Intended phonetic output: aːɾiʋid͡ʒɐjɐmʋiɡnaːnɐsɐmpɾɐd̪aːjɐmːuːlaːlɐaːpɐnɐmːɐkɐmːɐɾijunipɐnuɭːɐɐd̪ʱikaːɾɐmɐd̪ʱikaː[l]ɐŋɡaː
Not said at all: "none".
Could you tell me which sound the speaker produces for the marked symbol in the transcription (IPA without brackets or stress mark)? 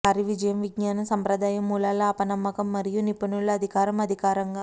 ɾ